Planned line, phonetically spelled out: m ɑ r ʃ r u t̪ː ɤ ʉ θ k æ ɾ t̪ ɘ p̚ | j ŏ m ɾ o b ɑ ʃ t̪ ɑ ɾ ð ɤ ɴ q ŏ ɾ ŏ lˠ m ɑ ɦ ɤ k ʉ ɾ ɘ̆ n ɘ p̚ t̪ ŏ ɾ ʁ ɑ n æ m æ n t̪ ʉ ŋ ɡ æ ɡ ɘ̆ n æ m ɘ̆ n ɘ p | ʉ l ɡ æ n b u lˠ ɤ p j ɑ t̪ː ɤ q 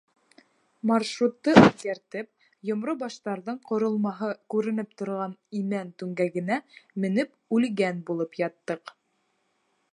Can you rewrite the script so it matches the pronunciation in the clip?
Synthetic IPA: m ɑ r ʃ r u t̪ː ɤ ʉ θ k æ ɾ t̪ ɘ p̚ | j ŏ m ɾ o b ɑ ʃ t̪ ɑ ɾ ð ɤ ɴ q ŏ ɾ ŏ lˠ m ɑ ɦ ɤ k ʉ ɾ ɘ̆ n ɘ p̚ t̪ ŏ ɾ ʁ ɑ n i m æ n t̪ ʉ ŋ ɡ æ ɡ ɘ̆ n æ m ɘ̆ n ɘ p | ʉ l ɡ æ n b u lˠ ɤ p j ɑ t̪ː ɤ q